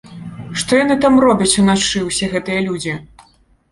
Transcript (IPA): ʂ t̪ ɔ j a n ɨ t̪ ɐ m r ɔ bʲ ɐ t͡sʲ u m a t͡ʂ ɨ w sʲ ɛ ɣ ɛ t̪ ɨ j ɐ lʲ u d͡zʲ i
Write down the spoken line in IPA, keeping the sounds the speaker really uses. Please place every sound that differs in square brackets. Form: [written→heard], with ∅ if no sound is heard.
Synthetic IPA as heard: ʂ t̪ ɔ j a n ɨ t̪ [ɐ→a] m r ɔ bʲ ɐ t͡sʲ u [m→n] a t͡ʂ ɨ w sʲ ɛ ɣ ɛ t̪ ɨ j ɐ lʲ u d͡zʲ i